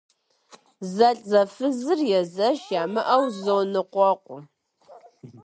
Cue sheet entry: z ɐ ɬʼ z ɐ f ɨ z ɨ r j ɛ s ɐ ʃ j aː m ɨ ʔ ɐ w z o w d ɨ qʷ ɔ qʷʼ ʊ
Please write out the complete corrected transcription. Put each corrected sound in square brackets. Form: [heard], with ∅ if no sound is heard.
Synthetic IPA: z ɐ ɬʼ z ɐ f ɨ z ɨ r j ɛ [z] ɐ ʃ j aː m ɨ ʔ ɐ w z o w [n] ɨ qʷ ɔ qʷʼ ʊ